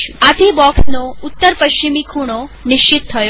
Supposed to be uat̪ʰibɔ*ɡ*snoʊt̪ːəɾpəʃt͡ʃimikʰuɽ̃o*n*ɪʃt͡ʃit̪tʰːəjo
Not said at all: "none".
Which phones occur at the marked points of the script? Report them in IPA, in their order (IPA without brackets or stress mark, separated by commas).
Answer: k, n